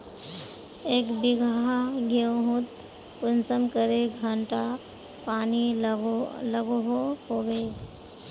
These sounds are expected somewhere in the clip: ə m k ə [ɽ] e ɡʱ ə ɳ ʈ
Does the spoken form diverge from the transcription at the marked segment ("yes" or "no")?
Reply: yes